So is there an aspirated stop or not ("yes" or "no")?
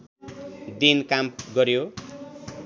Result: no